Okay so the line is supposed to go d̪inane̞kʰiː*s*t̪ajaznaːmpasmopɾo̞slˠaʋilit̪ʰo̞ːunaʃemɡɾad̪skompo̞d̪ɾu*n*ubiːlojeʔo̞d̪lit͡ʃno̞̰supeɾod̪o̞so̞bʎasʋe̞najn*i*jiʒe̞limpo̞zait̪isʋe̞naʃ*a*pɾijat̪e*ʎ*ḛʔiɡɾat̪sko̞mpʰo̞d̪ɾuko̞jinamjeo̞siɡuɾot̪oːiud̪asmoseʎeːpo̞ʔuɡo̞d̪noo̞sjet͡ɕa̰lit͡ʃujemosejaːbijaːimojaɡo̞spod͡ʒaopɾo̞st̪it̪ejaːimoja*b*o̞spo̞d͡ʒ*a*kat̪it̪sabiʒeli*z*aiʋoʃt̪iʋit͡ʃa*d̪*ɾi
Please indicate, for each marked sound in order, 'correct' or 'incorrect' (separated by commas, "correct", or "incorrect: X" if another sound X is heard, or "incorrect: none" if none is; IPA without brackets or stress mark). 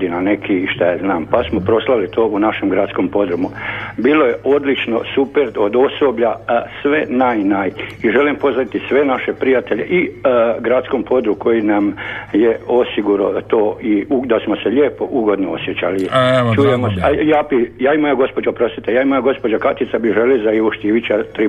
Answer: incorrect: ʃ, incorrect: m, incorrect: a, incorrect: e, correct, incorrect: ɡ, correct, correct, incorrect: t̪